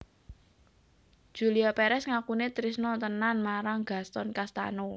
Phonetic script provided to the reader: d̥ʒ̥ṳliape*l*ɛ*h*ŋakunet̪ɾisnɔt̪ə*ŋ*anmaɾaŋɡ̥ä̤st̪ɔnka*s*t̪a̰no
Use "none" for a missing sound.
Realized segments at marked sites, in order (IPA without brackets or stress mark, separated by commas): ɾ, s, n, s